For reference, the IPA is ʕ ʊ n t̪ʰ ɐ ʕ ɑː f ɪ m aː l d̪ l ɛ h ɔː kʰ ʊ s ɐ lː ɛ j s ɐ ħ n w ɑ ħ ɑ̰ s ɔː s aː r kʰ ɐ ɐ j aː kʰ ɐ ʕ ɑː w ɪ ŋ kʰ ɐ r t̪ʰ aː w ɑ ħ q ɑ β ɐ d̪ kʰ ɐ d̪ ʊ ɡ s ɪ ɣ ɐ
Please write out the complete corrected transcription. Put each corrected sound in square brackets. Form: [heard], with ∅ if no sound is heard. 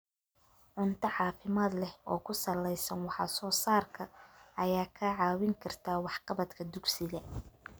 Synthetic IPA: ʕ ʊ n t̪ʰ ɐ ʕ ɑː f ɪ m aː [∅] d̪ l ɛ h ɔː kʰ ʊ s ɐ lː ɛ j s ɐ [∅] n w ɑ ħ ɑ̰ s ɔː s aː r kʰ ɐ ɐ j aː kʰ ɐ ʕ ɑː w ɪ ŋ kʰ ɐ r t̪ʰ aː w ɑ ħ q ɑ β ɐ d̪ kʰ ɐ d̪ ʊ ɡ s ɪ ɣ ɐ